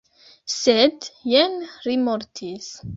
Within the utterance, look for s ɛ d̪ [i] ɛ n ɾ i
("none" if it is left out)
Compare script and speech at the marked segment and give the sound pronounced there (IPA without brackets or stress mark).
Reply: j